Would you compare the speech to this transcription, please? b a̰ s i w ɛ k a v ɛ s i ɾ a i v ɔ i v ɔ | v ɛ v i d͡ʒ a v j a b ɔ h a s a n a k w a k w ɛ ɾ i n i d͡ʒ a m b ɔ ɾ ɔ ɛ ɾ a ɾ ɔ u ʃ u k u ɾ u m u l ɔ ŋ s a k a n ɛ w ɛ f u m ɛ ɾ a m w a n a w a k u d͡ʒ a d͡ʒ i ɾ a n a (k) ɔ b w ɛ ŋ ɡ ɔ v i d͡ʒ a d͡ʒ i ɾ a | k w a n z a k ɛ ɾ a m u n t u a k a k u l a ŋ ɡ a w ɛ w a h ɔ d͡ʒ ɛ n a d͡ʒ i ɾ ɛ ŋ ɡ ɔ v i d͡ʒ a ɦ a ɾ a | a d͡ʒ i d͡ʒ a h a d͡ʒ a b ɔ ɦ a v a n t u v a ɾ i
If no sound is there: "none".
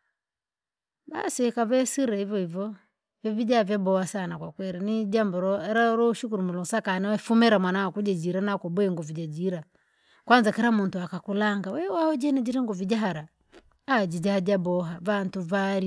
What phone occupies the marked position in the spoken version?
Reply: k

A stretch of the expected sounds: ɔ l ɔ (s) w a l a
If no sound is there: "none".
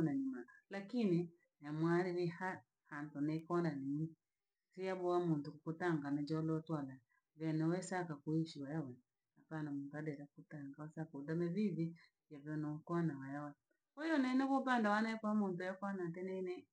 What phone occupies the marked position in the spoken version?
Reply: t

